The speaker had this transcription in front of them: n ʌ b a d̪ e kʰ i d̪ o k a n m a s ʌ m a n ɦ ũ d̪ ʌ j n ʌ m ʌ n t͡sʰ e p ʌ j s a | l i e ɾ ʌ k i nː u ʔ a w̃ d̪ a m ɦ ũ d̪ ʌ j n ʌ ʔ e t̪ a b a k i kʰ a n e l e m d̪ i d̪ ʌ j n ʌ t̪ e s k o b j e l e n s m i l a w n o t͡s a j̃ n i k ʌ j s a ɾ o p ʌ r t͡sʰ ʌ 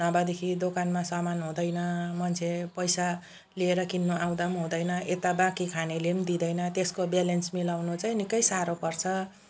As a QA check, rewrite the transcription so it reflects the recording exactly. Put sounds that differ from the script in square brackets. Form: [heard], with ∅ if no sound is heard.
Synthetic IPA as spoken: n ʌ b a d̪ e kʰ i d̪ o k a n m a s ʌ m a n ɦ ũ d̪ ʌ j n ʌ m ʌ n t͡sʰ e p ʌ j s a | l i e ɾ ʌ k i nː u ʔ a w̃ d̪ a m ɦ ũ d̪ ʌ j n ʌ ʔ e t̪ a b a k i kʰ a n e l e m d̪ i d̪ ʌ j n ʌ t̪ e s k o b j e l e n s m i l a w n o t͡s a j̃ n i k ʌ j s a ɾ o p ʌ r t͡sʰ ʌ

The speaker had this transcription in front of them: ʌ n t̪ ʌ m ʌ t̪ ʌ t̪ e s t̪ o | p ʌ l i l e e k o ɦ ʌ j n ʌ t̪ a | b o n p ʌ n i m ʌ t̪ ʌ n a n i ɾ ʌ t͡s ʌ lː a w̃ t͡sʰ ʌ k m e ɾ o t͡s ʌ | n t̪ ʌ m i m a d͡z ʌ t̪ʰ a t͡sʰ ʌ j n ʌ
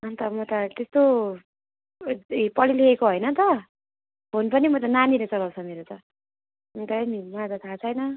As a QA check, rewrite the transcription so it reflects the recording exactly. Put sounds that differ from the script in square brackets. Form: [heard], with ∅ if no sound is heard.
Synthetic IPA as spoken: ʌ n t̪ ʌ m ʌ t̪ ʌ t̪ e s t̪ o | p ʌ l i l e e k o ɦ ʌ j n ʌ t̪ [ʌ] | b o n p ʌ n i m ʌ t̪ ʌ n a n i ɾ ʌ t͡s ʌ [l] a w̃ t͡sʰ ʌ [∅] m e ɾ o t͡s ʌ | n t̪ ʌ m i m a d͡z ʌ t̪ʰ a t͡sʰ ʌ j n ʌ

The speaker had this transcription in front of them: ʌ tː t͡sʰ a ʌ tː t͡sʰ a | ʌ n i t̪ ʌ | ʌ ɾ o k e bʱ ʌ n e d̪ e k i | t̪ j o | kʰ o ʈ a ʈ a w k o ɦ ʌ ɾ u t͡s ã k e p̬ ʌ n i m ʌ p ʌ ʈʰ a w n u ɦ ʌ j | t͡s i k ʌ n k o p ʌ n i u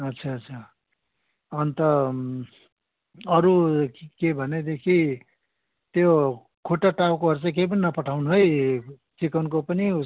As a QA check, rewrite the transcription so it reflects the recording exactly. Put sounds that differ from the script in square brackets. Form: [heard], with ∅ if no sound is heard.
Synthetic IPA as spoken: ʌ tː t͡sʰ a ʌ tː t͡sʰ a | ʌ n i t̪ ʌ | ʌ ɾ [u] k e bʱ ʌ n e d̪ e [kʰ] i | t̪ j o | kʰ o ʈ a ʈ a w k o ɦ ʌ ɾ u t͡s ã k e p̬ ʌ n i [n] ʌ p ʌ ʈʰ a w n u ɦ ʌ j | t͡s i k ʌ n k o p ʌ n i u

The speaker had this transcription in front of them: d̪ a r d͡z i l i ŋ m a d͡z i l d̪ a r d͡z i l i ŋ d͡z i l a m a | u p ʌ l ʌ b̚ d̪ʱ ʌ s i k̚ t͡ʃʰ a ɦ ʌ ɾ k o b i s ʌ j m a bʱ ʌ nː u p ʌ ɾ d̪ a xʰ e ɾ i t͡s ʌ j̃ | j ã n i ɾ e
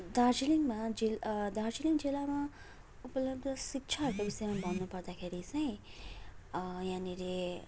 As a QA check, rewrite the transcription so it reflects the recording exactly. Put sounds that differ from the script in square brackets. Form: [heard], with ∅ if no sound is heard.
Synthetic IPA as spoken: d̪ a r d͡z i l i ŋ m a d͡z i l d̪ a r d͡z i l i ŋ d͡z i l a m a | u p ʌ l ʌ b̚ d̪ʱ ʌ s i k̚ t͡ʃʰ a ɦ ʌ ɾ k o b i s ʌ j m a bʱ ʌ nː u p ʌ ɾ d̪ a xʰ e ɾ i t͡s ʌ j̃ | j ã n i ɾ e

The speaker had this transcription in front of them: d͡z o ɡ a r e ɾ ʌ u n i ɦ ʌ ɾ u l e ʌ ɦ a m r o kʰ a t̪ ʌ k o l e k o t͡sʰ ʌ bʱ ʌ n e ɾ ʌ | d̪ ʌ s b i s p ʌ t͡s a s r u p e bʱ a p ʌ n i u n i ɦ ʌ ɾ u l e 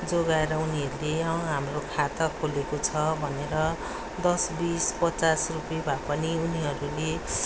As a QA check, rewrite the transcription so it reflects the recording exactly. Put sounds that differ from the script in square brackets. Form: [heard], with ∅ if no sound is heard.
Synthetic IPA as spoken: d͡z o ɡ a [∅] e ɾ ʌ u n i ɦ ʌ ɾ u l e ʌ ɦ a m r o kʰ a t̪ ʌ [kʰ] o l e k o t͡sʰ ʌ bʱ ʌ n e ɾ ʌ | d̪ ʌ s b i s p ʌ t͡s a s r u p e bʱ a p ʌ n i u n i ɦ ʌ ɾ u l e

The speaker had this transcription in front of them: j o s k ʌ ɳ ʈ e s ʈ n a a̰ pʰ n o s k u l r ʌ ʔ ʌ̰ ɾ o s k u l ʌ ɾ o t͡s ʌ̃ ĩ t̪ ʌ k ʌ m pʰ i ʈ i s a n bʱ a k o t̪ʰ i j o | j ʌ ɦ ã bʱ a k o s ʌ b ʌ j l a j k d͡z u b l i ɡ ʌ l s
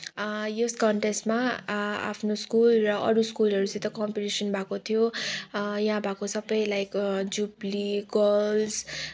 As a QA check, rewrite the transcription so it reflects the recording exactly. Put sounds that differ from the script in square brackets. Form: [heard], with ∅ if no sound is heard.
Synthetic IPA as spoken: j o s k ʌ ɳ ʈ e s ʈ [m] a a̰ pʰ n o s k u l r ʌ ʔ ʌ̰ ɾ [u] s k u l ʌ ɾ [u] t͡s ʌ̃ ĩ t̪ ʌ k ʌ m [p] i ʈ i s [ʌ] n bʱ a k o t̪ʰ i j o | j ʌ ɦ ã bʱ a k o s ʌ b ʌ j l a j k d͡z u b l i ɡ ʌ l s

